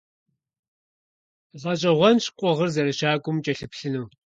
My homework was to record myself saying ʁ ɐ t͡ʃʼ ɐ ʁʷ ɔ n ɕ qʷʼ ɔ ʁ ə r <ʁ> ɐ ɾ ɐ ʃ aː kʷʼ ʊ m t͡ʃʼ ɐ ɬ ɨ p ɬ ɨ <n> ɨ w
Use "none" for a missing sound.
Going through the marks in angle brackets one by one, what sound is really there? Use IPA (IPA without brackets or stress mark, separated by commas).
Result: z, n